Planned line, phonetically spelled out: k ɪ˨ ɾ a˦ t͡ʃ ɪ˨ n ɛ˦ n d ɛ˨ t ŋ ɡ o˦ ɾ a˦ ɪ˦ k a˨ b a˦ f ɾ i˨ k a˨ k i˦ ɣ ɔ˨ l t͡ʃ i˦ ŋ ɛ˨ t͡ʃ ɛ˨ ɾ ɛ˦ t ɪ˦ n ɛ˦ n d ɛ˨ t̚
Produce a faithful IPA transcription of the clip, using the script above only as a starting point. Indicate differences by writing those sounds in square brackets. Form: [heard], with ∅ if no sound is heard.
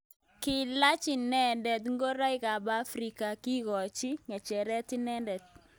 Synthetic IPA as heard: k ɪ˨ [l] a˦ t͡ʃ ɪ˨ n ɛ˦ n d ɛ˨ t ŋ ɡ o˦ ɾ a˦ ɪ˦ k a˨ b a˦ f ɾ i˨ k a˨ k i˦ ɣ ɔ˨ [∅] t͡ʃ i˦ ŋ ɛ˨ t͡ʃ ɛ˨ ɾ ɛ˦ t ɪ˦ n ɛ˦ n d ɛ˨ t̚